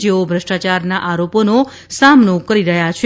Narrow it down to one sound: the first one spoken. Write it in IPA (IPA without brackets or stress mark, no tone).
d͡ʒ